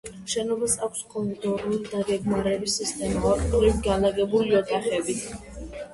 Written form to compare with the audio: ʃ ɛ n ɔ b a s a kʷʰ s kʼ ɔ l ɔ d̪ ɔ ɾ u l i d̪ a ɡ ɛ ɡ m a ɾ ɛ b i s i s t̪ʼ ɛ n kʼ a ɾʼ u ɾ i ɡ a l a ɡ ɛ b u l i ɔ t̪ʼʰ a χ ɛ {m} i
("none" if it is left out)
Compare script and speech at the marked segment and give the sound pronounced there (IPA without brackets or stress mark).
b